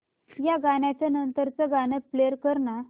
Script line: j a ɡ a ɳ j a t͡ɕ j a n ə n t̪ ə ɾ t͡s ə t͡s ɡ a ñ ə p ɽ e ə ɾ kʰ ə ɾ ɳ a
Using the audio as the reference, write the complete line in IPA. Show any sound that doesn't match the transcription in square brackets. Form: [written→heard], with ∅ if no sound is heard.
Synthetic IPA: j a ɡ a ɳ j a t͡ɕ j a n ə n t̪ ə ɾ t͡s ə [t͡s→∅] ɡ a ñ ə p [ɽ→l] e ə ɾ [kʰ→k] ə ɾ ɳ a